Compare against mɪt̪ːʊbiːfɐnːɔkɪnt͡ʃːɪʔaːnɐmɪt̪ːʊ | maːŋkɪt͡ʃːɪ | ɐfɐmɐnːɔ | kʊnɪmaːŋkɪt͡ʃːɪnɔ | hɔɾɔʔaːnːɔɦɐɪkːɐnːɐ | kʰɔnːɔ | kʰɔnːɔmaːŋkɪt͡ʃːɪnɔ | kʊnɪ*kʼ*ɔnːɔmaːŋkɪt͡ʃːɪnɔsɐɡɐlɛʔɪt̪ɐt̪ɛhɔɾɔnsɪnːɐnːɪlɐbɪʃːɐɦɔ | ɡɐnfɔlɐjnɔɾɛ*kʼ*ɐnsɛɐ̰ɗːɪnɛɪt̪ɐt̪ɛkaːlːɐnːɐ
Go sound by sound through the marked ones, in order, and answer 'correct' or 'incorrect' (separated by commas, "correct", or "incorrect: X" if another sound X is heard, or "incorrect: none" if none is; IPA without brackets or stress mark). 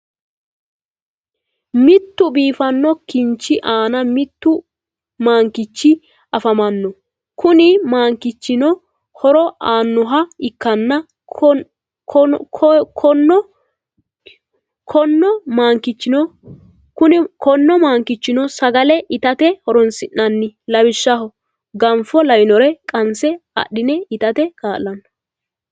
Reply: incorrect: k, correct